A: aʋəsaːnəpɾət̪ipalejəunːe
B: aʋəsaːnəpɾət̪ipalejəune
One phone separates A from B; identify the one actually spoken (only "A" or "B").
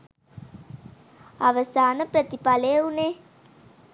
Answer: B